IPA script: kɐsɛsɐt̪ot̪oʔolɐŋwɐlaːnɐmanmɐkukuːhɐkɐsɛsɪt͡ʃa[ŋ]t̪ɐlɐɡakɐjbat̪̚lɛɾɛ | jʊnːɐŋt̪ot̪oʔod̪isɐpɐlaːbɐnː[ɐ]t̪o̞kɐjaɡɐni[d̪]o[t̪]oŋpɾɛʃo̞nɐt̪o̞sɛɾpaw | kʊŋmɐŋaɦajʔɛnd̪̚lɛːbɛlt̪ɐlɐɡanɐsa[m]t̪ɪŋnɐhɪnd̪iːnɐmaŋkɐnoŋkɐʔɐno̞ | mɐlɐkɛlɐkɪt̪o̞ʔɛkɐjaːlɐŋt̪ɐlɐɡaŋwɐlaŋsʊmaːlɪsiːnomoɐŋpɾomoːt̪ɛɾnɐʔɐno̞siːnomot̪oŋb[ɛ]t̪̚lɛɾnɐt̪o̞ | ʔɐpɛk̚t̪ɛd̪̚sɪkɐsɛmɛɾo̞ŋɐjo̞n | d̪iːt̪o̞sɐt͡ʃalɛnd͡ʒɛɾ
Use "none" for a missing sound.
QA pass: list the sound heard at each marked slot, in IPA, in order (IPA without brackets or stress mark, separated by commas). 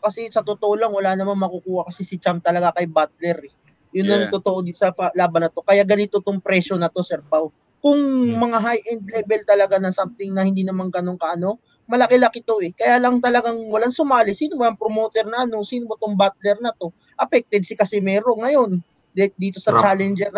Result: m, ɐ, t̪, t̪, m, a